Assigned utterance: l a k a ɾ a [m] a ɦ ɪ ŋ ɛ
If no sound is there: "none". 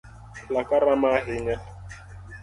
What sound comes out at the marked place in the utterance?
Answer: m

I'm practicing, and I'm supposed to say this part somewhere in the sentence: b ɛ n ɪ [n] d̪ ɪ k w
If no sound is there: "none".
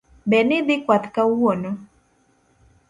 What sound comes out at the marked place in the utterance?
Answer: none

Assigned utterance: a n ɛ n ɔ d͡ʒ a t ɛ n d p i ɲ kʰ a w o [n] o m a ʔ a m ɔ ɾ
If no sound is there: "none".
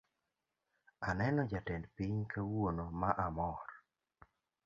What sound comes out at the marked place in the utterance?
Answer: n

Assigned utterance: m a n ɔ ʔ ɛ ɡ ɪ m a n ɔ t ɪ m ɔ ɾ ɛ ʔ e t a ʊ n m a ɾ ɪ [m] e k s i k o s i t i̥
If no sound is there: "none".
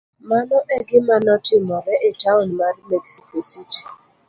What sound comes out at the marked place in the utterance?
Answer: m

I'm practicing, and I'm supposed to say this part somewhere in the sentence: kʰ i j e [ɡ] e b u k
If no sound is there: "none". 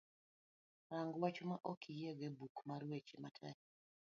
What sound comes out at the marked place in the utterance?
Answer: ɡ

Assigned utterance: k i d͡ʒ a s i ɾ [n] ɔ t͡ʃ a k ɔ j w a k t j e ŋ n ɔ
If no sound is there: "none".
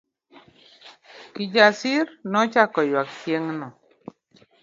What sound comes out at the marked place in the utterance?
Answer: n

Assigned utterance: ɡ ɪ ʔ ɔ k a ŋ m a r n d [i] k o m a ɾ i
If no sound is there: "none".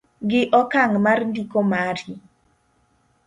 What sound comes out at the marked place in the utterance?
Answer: i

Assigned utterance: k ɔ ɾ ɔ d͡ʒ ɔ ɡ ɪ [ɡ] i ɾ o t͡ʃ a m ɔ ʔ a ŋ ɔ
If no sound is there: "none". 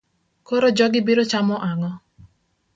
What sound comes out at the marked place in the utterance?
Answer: b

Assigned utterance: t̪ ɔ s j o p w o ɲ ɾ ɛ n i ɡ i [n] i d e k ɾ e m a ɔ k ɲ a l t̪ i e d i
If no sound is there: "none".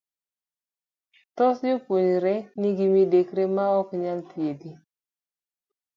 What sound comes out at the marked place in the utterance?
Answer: m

